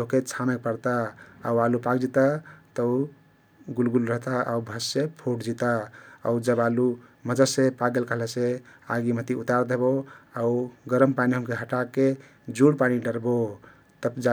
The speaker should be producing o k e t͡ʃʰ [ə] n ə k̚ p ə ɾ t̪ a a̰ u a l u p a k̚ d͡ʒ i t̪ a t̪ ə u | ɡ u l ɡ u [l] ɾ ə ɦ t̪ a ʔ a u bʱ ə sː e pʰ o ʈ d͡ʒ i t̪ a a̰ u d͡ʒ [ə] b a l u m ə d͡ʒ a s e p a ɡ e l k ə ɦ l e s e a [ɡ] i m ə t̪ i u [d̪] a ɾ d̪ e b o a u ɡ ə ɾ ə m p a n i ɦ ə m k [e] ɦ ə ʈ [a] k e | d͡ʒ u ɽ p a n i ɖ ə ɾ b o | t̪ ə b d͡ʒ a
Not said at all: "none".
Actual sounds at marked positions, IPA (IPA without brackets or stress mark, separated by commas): a, l, ə, ɡ, t̪, e, a